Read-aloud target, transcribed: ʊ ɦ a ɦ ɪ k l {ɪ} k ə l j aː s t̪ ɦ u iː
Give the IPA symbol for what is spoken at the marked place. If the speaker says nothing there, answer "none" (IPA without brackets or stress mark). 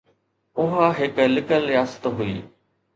ɪ